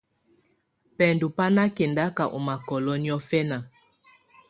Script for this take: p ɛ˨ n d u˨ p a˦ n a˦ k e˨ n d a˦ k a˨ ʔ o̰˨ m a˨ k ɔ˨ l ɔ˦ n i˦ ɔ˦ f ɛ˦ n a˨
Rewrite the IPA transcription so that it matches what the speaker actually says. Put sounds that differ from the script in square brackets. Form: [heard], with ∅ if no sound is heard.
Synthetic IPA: p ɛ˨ n d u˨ p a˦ n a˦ k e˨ n d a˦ k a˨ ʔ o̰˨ m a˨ k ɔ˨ l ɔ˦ n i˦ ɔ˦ f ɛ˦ n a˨

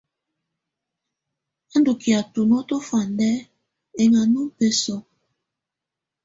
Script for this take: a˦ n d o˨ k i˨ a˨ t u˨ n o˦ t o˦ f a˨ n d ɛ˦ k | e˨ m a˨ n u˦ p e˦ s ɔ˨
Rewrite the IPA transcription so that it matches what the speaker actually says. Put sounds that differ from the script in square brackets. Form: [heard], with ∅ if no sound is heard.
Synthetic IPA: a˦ n d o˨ k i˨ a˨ t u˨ n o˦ t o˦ f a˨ n d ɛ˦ [∅] | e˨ [ŋ] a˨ n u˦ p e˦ s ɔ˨

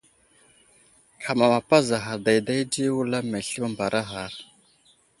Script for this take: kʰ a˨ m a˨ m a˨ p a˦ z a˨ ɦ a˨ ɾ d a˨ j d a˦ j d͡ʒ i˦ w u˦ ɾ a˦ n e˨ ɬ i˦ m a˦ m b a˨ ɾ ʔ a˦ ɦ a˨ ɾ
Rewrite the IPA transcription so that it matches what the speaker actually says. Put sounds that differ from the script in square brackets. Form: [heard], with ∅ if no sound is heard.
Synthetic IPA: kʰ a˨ m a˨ m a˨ p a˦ z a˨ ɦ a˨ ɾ d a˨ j d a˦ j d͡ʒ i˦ w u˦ [l] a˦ [m] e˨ ɬ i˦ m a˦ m b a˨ ɾ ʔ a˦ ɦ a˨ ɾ

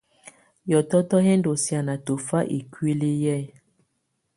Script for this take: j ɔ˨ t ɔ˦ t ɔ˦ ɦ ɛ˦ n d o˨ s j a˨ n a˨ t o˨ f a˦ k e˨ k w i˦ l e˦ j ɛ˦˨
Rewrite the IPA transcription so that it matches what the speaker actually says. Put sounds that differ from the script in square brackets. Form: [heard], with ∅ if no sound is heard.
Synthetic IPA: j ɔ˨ t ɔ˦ t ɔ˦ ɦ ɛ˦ n d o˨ s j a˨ n a˨ t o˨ f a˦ [ʔ] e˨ k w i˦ l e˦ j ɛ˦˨

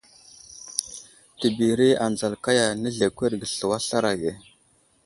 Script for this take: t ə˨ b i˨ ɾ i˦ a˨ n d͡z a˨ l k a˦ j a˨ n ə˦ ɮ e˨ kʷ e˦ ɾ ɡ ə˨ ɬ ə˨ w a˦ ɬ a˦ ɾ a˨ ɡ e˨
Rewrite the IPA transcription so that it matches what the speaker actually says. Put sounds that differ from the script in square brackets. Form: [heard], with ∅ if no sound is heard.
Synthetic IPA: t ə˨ b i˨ ɾ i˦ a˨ n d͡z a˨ l k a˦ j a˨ n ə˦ ɮ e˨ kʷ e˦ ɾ ɡ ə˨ ɬ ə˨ w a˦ ɬ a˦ ɾ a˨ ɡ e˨

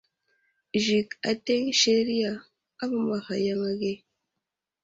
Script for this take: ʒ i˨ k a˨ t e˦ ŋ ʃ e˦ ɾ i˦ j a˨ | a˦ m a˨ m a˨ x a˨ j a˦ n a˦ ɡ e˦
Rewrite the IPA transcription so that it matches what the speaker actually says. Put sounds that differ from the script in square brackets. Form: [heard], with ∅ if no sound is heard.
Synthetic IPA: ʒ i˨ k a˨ t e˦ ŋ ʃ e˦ ɾ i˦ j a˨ | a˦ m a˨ m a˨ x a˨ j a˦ [ŋ] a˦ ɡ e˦

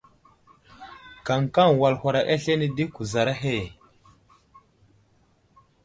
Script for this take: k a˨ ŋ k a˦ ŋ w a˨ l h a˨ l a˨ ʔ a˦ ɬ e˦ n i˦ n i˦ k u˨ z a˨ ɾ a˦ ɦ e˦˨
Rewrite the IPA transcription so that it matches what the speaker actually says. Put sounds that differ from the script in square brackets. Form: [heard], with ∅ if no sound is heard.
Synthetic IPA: k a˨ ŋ k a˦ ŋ w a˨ l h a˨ [ɾ] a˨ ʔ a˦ ɬ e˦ n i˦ [d] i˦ k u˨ z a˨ ɾ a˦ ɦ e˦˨

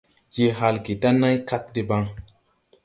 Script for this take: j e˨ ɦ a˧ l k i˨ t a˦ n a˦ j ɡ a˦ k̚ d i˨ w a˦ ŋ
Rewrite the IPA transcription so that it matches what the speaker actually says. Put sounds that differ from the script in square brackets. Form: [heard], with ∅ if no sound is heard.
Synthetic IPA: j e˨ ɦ a˧ l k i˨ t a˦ n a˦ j [k] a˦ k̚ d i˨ [b] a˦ ŋ

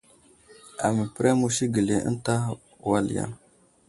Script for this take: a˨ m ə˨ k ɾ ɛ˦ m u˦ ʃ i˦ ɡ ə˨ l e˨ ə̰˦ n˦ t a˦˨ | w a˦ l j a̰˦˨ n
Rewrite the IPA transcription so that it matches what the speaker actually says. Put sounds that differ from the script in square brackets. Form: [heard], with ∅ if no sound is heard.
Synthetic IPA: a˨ m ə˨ [p] ɾ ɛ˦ m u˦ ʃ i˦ ɡ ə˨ l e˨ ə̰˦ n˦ t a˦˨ | w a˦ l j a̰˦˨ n

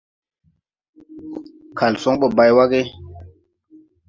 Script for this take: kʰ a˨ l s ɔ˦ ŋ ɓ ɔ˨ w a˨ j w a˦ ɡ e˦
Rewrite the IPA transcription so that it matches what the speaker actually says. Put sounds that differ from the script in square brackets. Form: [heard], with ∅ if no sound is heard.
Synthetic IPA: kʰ a˨ l s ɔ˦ ŋ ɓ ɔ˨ [b] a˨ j w a˦ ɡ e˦

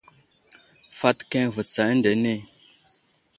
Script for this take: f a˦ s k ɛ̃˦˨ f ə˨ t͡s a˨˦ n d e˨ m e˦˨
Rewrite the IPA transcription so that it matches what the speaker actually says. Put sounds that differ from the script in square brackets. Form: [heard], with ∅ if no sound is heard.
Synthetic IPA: f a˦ [t] k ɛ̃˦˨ [v] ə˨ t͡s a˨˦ n d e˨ [n] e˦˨

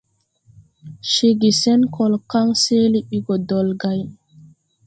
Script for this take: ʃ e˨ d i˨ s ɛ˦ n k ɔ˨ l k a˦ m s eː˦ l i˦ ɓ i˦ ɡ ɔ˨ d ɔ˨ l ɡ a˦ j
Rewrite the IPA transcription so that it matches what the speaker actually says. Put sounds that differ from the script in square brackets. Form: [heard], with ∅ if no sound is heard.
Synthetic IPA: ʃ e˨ [ɡ] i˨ s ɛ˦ n k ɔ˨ l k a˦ [ŋ] s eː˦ l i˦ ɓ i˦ ɡ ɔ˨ d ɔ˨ l ɡ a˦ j

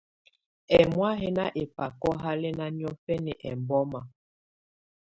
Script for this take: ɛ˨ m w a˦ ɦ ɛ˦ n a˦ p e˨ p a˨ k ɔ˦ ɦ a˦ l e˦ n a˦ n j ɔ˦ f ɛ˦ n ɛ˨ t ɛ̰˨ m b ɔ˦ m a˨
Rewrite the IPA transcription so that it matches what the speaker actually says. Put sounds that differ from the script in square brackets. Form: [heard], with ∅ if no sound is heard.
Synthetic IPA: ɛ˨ m w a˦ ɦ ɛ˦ n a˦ [ʔ] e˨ p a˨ k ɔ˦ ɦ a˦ l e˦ n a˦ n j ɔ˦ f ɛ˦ n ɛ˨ [ʔ] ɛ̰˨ m b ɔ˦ m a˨

